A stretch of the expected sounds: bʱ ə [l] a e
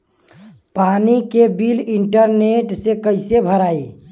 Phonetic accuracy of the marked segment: incorrect: ɾ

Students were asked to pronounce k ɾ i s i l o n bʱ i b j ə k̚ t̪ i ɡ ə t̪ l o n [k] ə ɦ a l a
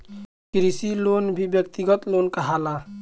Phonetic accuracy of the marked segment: correct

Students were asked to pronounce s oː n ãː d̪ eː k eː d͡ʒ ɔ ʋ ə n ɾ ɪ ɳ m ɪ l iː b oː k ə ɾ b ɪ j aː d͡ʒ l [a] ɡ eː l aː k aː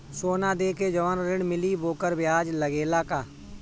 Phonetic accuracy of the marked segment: incorrect: ə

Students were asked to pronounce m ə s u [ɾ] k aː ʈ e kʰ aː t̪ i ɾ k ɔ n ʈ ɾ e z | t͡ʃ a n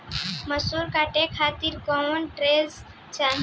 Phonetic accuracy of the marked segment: correct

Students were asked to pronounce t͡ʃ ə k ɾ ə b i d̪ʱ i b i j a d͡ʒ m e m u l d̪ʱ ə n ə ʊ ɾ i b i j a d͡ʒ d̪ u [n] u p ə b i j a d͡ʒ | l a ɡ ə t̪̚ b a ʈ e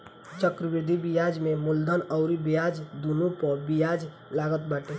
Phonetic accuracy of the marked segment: correct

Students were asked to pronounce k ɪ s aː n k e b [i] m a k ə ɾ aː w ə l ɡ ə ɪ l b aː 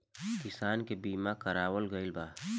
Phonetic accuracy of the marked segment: incorrect: iː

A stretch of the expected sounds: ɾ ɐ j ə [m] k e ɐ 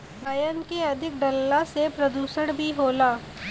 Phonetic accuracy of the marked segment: incorrect: n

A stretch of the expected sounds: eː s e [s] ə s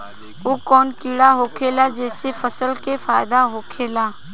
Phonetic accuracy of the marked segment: incorrect: f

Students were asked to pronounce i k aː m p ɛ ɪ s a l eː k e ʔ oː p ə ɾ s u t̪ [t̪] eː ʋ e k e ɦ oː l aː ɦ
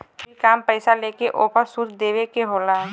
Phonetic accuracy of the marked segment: incorrect: d̪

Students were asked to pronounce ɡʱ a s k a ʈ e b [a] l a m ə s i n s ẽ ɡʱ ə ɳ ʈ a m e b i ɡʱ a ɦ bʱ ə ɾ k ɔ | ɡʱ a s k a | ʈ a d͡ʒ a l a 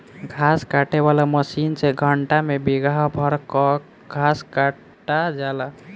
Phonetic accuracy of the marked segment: correct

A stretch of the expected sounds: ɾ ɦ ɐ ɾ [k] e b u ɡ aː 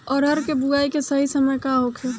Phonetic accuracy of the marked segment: correct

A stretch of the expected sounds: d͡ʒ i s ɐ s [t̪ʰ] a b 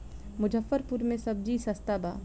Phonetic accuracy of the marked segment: incorrect: t̪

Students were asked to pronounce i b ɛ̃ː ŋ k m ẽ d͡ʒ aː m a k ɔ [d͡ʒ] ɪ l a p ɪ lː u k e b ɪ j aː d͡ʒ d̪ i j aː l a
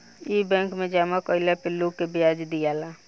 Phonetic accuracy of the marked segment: incorrect: none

